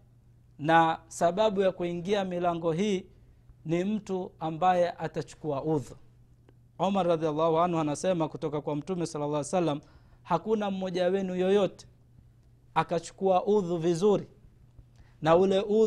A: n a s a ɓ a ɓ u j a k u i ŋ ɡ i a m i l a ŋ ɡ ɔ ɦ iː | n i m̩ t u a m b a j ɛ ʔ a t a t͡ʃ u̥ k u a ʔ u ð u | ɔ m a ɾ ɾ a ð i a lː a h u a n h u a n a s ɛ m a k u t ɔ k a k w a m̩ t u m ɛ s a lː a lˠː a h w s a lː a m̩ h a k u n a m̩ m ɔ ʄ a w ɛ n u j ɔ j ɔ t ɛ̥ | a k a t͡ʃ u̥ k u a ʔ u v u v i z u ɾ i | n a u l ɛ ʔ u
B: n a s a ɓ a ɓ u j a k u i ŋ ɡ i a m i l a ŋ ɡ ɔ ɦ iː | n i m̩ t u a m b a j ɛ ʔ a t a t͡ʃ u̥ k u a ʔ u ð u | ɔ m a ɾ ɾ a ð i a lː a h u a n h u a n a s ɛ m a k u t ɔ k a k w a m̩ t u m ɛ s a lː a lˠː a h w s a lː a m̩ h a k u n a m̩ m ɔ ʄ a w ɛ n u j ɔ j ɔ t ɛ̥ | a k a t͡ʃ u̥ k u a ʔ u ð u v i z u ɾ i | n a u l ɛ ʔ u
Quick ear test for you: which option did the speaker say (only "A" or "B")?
B